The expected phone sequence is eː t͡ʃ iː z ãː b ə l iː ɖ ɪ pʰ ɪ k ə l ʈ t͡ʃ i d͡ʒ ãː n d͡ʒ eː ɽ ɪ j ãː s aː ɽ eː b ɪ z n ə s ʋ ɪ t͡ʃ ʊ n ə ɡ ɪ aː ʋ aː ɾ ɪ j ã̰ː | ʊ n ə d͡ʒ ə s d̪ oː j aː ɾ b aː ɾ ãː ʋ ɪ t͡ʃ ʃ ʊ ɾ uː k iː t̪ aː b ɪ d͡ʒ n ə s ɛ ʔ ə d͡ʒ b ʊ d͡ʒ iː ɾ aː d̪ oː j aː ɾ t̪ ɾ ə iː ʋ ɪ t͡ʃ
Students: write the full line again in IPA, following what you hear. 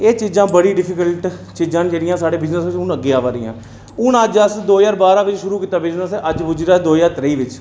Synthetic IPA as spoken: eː t͡ʃ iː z ãː b ə ɽ iː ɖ ɪ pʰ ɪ k ə l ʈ t͡ʃ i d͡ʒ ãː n d͡ʒ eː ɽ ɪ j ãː s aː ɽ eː b ɪ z n ə s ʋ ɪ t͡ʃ ʊ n ə ɡ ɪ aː ʋ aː ɾ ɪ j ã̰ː | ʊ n ə d͡ʒ ə s d̪ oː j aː ɾ b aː ɾ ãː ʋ ɪ t͡ʃ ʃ ʊ ɾ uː k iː t̪ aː b ɪ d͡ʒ n ə s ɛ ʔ ə d͡ʒ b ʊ d͡ʒ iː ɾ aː d̪ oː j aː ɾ t̪ ɾ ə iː ʋ ɪ t͡ʃ